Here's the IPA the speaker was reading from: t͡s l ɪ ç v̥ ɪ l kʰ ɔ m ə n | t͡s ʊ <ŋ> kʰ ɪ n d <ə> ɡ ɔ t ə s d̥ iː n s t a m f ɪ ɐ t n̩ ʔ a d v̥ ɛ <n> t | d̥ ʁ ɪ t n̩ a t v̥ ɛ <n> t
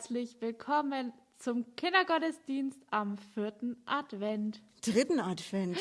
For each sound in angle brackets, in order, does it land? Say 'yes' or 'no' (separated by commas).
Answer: no, no, yes, yes